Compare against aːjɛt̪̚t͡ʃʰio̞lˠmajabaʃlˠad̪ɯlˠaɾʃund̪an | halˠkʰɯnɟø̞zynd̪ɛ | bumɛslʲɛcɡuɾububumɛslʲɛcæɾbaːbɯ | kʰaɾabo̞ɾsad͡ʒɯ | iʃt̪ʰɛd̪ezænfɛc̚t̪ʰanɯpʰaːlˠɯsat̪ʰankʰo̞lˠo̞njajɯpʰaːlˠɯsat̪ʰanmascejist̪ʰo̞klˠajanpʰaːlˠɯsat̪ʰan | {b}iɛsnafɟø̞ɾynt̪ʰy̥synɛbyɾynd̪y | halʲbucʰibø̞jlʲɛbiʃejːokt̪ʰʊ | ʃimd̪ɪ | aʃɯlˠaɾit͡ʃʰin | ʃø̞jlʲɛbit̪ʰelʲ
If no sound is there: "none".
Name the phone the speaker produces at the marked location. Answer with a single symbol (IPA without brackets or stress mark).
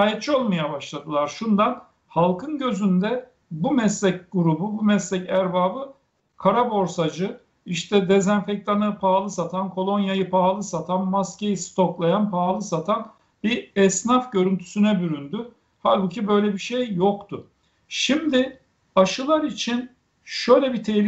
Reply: b